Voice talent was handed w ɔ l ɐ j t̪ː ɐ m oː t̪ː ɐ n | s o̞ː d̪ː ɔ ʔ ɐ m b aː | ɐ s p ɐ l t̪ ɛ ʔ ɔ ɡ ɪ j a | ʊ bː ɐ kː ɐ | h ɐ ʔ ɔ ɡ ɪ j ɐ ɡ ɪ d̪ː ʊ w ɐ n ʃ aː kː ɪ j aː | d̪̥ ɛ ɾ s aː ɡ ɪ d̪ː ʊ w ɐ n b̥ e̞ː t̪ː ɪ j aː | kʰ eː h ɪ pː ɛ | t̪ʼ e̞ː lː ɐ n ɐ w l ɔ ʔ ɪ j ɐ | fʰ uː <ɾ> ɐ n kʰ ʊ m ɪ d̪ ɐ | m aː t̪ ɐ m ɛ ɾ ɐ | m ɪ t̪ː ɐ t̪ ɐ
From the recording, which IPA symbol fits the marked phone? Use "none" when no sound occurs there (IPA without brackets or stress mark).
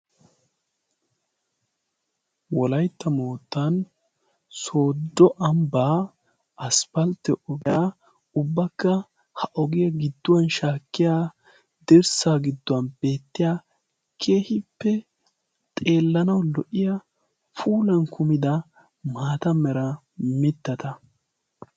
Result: l